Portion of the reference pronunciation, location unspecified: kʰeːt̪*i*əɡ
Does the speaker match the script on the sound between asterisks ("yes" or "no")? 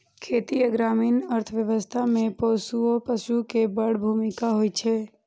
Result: yes